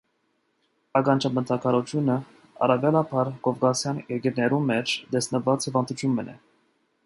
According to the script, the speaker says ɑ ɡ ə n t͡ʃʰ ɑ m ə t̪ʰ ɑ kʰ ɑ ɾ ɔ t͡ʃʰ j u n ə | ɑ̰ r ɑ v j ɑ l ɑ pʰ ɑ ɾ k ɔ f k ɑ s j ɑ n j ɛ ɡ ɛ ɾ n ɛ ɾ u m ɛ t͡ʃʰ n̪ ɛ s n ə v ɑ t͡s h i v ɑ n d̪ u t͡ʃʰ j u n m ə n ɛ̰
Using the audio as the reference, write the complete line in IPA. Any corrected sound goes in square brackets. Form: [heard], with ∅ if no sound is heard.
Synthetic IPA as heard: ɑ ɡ [ɑ] n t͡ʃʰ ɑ m ə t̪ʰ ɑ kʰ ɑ ɾ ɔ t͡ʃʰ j u n ə | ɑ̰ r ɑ v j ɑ l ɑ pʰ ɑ ɾ k ɔ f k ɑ s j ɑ n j ɛ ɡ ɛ ɾ n ɛ ɾ u m ɛ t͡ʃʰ [d̪] ɛ s n ə v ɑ t͡s h i v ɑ n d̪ u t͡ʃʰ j u n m ə n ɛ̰